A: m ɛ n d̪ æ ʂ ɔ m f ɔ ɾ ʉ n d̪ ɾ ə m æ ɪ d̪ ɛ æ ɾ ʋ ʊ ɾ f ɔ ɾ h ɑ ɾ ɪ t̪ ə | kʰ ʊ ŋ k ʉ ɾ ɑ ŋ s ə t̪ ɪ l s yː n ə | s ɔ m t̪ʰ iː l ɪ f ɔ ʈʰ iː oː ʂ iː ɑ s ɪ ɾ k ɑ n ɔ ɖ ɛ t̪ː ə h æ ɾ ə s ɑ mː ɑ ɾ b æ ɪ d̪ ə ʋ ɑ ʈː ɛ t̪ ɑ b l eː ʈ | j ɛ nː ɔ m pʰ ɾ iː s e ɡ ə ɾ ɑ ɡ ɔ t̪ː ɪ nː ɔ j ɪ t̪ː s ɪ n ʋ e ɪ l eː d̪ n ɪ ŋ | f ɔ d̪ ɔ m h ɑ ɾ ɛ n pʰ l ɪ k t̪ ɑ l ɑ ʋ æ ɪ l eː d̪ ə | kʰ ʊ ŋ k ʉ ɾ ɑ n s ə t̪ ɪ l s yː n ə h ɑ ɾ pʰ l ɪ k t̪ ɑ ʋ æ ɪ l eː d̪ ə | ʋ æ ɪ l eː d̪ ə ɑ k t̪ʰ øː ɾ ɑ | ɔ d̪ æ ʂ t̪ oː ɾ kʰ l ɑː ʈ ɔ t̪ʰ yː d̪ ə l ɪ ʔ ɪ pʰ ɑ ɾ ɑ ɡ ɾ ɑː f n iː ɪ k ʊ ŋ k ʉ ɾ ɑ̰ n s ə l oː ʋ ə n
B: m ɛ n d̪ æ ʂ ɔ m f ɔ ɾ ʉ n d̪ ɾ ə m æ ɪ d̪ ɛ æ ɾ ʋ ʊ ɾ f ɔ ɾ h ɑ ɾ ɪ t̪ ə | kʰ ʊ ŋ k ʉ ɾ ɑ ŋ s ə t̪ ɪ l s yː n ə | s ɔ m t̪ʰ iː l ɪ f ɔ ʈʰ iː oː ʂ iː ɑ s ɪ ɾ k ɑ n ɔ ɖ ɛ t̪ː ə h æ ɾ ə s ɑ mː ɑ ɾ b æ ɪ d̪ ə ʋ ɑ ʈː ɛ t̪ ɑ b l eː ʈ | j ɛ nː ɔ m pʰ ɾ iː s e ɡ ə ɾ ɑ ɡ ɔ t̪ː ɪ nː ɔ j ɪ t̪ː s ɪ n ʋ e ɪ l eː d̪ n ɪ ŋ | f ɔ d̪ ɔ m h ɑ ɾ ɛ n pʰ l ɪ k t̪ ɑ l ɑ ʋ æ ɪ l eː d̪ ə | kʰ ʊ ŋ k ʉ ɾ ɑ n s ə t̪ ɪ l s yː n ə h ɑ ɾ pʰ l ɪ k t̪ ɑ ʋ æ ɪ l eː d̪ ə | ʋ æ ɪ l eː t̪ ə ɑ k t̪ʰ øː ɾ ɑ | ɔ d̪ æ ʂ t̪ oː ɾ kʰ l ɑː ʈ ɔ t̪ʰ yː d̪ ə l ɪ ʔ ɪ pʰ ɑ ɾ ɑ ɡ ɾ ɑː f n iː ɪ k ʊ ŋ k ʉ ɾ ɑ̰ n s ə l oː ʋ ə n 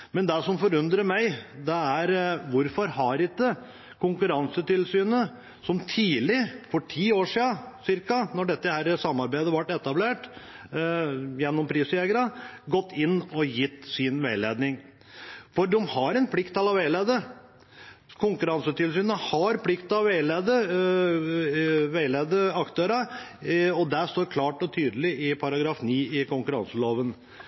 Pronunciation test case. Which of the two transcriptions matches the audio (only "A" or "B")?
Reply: A